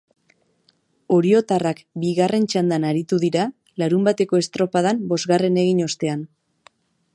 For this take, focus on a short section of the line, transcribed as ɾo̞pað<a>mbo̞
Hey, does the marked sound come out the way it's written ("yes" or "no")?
yes